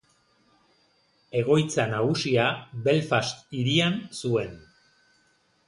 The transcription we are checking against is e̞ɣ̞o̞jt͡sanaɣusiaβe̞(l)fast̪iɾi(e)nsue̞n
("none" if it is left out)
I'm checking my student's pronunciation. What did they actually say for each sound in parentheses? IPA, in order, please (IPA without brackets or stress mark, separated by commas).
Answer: l, a